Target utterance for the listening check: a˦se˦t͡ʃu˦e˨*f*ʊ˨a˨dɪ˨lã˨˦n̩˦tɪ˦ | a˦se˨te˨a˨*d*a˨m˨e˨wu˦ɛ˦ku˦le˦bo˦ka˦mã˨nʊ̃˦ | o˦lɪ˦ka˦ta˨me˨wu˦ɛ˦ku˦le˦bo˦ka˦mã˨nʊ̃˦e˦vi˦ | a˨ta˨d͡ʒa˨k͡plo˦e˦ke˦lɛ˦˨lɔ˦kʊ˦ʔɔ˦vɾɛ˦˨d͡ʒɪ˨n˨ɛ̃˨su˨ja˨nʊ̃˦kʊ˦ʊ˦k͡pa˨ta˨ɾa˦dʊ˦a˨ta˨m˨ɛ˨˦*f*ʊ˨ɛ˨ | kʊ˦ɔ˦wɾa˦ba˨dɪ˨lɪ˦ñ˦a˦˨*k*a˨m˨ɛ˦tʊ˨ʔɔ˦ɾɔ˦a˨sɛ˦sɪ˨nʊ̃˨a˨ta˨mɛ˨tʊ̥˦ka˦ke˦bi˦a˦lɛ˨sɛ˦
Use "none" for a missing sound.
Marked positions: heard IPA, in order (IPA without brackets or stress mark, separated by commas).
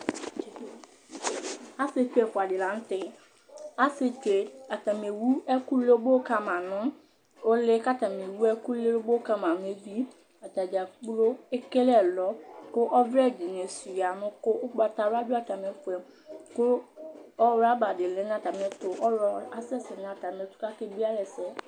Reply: f, t, f, t